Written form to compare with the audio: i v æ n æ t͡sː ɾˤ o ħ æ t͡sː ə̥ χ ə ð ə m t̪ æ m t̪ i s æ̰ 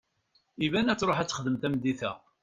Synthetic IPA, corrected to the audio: i v æ n æ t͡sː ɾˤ o ħ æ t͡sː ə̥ χ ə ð ə m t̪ æ m d̪ i θ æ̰